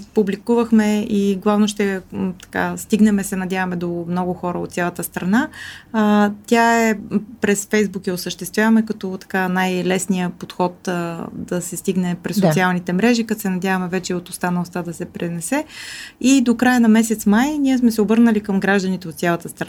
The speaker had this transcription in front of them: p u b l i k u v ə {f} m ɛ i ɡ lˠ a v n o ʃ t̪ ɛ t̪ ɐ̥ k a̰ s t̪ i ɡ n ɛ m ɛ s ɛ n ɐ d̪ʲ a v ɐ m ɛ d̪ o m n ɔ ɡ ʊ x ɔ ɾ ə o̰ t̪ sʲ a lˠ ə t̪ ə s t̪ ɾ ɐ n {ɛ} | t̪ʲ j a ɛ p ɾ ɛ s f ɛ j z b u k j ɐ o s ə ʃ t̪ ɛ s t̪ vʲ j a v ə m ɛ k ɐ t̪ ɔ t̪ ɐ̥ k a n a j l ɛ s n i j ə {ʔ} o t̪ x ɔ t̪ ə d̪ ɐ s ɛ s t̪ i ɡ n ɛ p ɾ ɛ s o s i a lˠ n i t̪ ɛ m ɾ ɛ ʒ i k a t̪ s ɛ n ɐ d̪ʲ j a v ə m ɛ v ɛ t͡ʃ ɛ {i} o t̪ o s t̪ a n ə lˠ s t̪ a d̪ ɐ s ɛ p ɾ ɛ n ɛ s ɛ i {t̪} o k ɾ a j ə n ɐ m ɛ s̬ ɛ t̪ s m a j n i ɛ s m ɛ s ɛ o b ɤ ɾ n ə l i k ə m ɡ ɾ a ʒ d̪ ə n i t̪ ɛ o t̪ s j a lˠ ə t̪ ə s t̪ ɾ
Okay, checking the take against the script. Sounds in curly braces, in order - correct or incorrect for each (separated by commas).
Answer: incorrect, incorrect, incorrect, correct, incorrect